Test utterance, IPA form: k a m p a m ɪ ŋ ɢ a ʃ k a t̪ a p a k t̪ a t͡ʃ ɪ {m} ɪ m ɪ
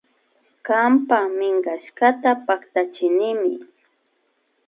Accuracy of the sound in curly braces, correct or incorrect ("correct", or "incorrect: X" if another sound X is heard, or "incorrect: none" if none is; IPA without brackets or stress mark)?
incorrect: n